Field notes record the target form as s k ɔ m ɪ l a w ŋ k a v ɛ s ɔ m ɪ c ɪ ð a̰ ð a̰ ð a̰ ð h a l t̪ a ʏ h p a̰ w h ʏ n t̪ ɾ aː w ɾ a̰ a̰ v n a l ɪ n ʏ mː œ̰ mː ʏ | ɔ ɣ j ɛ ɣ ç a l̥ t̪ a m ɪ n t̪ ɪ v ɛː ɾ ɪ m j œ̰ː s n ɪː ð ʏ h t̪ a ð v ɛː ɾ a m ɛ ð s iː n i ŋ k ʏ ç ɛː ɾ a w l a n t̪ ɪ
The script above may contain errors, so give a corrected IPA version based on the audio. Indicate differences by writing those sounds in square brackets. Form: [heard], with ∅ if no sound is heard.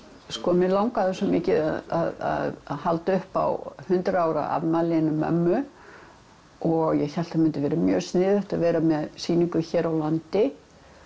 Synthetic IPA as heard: s k ɔ m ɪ l a w ŋ k a [ð] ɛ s ɔ m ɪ c ɪ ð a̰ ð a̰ ð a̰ ð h a l t̪ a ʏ h p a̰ w h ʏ n t̪ ɾ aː w ɾ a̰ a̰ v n a l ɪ n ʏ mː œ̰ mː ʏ | ɔ ɣ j ɛ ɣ ç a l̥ t̪ a m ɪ n t̪ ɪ v ɛː ɾ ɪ m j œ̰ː s n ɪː ð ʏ h t̪ a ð v ɛː ɾ a m ɛ ð s iː n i ŋ k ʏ ç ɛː ɾ a w l a n t̪ ɪ